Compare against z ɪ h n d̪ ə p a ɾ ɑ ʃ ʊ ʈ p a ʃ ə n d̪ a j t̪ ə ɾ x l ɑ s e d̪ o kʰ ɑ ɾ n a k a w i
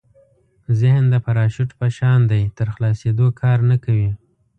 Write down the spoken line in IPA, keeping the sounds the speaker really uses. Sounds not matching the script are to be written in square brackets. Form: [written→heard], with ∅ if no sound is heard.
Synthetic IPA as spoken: z ɪ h n d̪ ə p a ɾ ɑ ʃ ʊ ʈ p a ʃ [ə→ɑ] n d̪ a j t̪ ə ɾ x l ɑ s e d̪ o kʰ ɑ ɾ n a k a w i